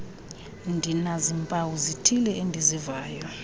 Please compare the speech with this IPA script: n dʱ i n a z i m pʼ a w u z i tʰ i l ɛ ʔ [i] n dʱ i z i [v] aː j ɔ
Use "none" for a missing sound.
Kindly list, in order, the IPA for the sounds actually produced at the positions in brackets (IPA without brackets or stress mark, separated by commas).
e, v